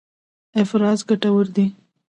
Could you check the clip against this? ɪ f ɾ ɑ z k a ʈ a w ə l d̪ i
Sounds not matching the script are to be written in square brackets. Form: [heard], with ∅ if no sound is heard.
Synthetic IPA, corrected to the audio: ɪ f ɾ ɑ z [ɡ] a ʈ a w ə [ɾ] d̪ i